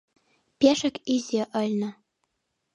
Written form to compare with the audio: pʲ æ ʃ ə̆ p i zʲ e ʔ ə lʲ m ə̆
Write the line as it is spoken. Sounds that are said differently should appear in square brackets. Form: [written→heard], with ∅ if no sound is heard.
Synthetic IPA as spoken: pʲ [æ→e] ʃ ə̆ [p→k] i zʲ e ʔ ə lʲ [m→n] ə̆

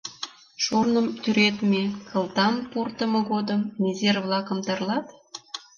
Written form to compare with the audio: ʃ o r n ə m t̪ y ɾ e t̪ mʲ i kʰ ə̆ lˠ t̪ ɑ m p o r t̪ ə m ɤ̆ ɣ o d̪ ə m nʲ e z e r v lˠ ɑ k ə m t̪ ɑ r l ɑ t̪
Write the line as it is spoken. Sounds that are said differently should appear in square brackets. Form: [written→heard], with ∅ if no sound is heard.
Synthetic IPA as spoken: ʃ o r n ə m t̪ y ɾ e t̪ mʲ [i→e] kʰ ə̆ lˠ t̪ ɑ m p o r t̪ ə m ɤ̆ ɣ o d̪ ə m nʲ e z e r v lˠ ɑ k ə m t̪ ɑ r l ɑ t̪

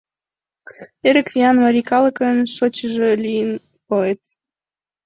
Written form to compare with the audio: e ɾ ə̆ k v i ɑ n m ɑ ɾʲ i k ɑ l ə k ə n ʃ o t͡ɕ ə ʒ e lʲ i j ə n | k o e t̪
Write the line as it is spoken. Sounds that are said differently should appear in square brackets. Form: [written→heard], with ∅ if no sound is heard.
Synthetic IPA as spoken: e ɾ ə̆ k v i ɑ n m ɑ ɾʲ i k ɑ l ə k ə n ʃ o t͡ɕ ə ʒ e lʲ i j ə n | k o e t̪

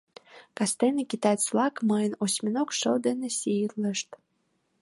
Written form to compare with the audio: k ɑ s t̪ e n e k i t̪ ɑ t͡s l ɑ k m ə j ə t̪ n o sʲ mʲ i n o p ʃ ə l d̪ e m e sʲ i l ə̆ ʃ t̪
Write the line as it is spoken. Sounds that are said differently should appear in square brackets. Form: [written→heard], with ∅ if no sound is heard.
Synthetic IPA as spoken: k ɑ s t̪ e n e k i t̪ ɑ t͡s l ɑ k m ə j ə [t̪→∅] n o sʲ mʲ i n o [p→k] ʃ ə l d̪ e [m→n] e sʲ i l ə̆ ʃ t̪

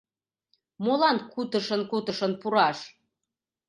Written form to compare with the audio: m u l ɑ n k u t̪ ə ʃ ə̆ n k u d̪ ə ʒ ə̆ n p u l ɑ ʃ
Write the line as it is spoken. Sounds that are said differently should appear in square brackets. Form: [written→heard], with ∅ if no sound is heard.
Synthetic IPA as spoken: m [u→o] l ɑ n k u t̪ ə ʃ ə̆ n k u [d̪→t̪] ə [ʒ→ʃ] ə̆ n p u [l→ɾ] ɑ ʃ

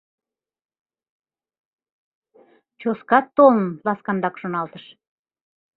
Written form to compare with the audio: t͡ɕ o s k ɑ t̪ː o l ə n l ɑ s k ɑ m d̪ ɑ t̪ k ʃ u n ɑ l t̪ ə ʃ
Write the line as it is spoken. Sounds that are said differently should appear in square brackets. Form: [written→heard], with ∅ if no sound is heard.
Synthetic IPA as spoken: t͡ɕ o s k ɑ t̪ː o l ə n l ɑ s k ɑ [m→n] d̪ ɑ [t̪→∅] k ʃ [u→o] n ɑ l t̪ ə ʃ

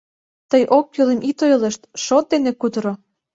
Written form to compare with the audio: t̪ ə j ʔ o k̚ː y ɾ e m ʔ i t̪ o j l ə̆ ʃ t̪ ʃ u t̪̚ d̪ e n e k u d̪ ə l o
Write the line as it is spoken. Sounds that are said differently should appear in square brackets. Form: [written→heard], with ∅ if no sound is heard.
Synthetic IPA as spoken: t̪ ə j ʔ o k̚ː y [ɾ→l] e m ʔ i t̪ o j l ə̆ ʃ t̪ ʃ [u→o] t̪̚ d̪ e n e k u d̪ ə [l→ɾ] o

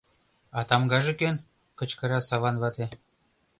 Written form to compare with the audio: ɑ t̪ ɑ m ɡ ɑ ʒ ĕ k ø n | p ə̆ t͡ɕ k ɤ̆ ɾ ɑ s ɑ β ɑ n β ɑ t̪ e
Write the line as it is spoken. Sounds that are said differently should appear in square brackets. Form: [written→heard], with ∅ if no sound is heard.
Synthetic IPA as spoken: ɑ t̪ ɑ m ɡ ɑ ʒ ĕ k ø n | [p→k] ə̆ t͡ɕ k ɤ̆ ɾ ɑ s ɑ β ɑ n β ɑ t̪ e

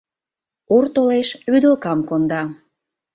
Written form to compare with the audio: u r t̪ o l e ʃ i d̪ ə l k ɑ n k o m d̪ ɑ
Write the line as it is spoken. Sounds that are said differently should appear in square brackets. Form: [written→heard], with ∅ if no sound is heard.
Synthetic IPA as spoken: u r t̪ o l e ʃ [i→y] d̪ ə l k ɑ [n→m] k o [m→n] d̪ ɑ

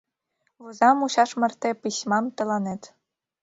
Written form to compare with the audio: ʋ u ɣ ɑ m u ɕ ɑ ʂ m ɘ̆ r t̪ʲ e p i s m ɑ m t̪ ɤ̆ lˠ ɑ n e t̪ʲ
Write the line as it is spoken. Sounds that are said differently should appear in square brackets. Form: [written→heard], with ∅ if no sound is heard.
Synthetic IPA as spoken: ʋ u [ɣ→z] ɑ m u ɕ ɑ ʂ m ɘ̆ r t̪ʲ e p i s m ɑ m t̪ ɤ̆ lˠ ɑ n e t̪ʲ

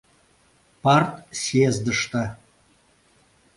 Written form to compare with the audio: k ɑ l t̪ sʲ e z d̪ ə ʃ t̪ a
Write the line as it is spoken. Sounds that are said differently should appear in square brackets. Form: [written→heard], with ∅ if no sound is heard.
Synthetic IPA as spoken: [k→p] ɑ [l→r] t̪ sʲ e z d̪ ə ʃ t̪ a

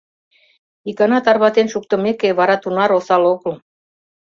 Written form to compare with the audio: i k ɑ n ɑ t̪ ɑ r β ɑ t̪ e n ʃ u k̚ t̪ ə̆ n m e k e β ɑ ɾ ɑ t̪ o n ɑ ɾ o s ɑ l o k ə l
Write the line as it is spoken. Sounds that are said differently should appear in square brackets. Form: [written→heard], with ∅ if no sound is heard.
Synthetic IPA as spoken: i k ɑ n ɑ t̪ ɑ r β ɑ t̪ e n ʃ u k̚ t̪ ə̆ [n→∅] m e k e β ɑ ɾ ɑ t̪ [o→u] n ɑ ɾ o s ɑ l o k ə l

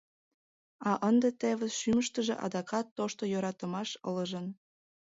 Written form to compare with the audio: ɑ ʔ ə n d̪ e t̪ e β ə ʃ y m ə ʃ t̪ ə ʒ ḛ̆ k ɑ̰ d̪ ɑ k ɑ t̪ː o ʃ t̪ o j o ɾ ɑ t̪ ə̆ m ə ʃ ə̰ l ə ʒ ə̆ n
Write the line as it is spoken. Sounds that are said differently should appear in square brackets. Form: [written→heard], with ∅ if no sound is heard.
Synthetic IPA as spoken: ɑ ʔ ə n d̪ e t̪ e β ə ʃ y m ə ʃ t̪ ə ʒ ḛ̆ [k→ʔ] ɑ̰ d̪ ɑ k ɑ t̪ː o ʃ t̪ o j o ɾ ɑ t̪ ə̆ m [ə→ɑ] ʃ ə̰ l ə ʒ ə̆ n

